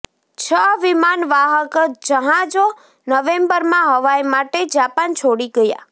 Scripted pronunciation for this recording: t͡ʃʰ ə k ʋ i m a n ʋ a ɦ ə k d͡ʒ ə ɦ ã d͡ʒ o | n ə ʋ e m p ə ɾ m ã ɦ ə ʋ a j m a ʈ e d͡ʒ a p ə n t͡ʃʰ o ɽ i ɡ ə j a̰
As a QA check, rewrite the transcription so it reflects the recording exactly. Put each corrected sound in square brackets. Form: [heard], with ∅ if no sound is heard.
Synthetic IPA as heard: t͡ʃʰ ə [∅] ʋ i m a n ʋ a ɦ ə k d͡ʒ ə ɦ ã d͡ʒ o | n ə ʋ e m [b] ə ɾ m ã ɦ ə ʋ a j m a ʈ e d͡ʒ a p [a] n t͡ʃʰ o ɽ i ɡ ə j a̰